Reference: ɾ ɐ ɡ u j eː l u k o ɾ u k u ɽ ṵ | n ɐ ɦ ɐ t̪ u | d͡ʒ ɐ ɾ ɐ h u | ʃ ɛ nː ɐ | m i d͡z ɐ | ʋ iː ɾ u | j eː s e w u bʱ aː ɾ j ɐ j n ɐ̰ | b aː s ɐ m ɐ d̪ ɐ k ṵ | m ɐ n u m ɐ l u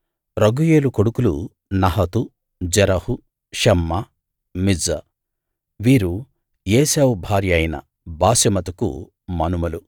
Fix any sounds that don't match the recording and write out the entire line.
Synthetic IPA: ɾ ɐ ɡ u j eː l u k o ɽ u k u l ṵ | n ɐ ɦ ɐ t̪ u | d͡ʒ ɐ ɾ ɐ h u | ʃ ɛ mː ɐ | m i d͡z ɐ | ʋ iː ɾ u | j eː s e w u bʱ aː ɾ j ɐ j n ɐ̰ | b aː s ɐ m ɐ t̪ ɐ k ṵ | m ɐ n u m ɐ l u